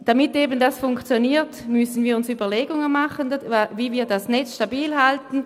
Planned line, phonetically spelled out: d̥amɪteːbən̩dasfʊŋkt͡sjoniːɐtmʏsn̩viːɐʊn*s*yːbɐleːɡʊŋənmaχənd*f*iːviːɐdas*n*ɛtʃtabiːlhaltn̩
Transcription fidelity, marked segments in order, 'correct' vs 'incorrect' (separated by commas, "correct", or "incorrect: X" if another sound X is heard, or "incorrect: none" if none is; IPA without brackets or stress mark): correct, incorrect: v, correct